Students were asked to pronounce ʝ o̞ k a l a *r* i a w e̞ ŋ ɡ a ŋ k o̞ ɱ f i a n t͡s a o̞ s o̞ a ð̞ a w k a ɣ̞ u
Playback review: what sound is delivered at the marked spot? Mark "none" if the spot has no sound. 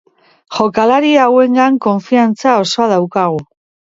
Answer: ɾ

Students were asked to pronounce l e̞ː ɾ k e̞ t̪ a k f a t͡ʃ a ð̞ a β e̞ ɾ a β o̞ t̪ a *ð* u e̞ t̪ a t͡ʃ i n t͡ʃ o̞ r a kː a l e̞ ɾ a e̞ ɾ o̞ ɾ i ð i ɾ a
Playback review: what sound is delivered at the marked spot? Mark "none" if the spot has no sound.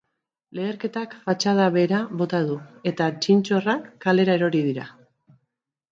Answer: ð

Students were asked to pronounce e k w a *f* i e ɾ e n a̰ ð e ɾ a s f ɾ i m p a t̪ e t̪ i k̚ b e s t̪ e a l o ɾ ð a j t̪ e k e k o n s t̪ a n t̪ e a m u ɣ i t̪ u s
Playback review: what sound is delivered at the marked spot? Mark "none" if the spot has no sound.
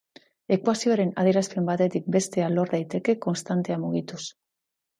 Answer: s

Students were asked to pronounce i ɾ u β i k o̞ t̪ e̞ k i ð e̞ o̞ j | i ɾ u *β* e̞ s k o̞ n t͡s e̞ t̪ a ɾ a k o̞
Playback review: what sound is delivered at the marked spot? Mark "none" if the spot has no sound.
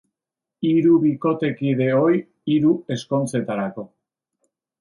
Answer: none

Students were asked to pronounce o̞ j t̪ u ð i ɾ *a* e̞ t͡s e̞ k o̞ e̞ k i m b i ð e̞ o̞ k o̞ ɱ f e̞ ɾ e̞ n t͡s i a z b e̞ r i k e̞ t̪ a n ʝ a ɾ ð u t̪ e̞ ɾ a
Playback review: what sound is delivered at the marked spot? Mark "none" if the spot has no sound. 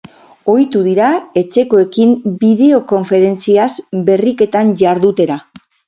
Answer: a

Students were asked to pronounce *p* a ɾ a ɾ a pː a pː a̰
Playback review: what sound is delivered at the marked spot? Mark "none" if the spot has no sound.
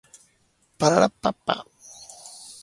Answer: p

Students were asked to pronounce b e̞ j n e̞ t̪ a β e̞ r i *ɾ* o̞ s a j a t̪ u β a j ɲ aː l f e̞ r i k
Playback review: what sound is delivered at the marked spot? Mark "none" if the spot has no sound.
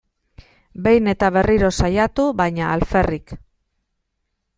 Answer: ɾ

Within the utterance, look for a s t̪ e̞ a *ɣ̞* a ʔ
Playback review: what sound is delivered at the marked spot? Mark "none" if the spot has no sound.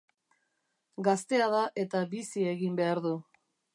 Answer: ð̞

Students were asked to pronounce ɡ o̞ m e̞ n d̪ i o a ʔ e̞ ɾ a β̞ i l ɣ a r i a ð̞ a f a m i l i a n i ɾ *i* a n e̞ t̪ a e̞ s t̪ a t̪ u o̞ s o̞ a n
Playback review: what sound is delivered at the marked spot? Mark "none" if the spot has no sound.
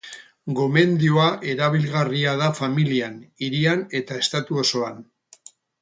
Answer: i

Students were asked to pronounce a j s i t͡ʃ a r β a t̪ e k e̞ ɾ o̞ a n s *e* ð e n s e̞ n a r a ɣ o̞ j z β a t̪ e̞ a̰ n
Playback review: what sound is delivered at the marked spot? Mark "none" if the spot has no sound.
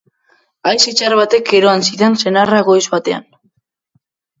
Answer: i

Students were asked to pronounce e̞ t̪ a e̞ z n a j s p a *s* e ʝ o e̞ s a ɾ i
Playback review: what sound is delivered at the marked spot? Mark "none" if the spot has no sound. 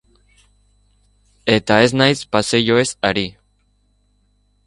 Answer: s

